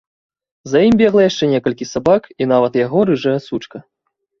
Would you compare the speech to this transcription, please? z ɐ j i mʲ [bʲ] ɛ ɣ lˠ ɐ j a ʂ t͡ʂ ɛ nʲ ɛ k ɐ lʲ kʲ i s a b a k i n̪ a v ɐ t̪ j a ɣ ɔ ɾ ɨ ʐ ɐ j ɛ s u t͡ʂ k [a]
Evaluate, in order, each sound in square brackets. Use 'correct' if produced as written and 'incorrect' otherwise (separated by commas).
correct, incorrect